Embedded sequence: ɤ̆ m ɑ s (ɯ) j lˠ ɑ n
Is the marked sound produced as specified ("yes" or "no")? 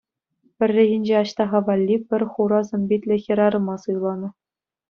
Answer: yes